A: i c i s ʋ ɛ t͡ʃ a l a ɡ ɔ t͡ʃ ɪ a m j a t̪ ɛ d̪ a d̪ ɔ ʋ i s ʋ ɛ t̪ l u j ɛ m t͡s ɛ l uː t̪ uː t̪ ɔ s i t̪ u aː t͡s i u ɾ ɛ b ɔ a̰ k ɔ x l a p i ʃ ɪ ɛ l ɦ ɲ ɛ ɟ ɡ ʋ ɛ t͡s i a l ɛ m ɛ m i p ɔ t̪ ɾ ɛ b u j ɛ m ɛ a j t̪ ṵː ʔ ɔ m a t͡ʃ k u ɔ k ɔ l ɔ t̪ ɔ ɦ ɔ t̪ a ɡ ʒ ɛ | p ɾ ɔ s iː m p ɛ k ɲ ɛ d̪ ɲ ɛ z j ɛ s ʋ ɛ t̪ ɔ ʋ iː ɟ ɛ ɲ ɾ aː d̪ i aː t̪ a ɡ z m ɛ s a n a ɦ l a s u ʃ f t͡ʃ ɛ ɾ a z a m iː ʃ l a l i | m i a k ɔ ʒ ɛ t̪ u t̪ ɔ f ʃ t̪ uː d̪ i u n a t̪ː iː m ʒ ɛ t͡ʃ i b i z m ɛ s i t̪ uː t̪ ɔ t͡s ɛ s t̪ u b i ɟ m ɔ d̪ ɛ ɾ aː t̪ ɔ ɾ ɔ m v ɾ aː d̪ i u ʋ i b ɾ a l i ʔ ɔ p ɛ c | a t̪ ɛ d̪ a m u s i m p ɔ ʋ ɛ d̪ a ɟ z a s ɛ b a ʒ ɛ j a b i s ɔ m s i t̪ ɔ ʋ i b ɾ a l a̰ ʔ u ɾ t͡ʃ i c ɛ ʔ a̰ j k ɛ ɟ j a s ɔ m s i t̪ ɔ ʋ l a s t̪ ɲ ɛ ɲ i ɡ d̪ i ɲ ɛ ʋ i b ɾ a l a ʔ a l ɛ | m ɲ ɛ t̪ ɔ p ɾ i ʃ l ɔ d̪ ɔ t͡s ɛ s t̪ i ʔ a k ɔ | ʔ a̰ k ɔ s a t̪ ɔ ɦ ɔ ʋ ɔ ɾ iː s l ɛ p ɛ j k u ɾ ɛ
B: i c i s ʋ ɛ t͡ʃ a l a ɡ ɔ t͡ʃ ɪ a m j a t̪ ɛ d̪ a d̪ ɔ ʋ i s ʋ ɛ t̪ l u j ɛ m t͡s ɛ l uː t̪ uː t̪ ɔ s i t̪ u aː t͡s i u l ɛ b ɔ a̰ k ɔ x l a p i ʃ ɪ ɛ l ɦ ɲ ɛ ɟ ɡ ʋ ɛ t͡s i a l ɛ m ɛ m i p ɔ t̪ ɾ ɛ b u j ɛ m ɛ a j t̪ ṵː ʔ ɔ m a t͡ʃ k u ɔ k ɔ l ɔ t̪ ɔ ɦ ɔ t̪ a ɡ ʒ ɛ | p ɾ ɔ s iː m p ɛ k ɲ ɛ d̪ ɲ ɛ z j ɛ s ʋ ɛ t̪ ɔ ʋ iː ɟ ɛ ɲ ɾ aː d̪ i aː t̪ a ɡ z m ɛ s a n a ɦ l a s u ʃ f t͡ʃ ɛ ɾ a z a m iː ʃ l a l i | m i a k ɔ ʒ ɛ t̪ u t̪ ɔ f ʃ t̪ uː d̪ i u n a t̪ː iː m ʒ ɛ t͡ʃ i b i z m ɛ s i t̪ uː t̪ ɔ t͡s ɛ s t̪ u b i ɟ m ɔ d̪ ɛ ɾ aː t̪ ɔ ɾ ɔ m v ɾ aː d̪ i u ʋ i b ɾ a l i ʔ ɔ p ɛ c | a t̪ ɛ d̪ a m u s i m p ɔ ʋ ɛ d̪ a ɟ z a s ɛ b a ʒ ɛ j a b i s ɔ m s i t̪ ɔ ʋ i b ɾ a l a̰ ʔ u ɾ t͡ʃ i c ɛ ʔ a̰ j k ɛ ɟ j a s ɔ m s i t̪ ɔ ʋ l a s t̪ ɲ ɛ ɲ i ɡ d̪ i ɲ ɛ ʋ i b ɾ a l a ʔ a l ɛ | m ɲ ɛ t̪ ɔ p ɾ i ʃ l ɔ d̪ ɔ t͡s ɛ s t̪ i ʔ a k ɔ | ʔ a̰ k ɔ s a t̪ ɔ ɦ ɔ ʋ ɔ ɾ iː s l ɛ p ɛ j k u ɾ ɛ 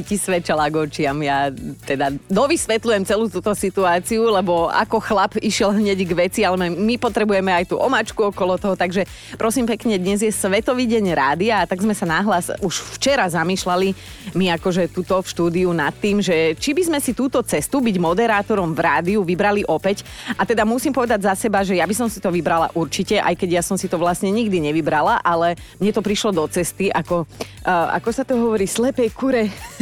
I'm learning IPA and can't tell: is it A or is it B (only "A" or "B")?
B